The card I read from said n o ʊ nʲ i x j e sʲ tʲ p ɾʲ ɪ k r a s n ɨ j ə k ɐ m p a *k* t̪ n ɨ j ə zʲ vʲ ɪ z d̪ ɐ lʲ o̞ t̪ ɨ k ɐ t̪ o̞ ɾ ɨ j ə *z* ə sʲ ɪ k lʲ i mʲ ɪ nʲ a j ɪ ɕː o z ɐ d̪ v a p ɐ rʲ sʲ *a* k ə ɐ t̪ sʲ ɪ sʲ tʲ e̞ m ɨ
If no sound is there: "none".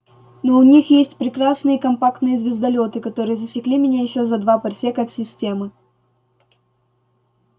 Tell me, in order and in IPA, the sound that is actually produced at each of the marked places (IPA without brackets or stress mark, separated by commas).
k, z, e